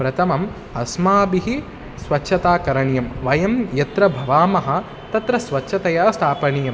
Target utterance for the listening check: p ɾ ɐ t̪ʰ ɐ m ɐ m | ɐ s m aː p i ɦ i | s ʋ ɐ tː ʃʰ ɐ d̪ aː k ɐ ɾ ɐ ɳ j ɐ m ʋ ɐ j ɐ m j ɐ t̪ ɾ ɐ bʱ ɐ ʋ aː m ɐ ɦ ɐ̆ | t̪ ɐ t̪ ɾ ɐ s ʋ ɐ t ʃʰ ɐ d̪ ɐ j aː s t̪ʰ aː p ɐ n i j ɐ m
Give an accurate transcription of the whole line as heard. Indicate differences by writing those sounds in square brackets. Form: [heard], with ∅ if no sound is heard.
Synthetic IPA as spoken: p ɾ ɐ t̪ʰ ɐ m ɐ m | ɐ s m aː [b] i ɦ i | s ʋ ɐ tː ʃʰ ɐ [t̪] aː k ɐ ɾ ɐ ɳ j ɐ m ʋ ɐ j ɐ m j ɐ t̪ ɾ ɐ bʱ ɐ ʋ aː m ɐ ɦ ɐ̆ | t̪ ɐ t̪ ɾ ɐ s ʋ ɐ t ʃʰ ɐ [t̪] ɐ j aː s t̪ʰ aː p ɐ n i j ɐ m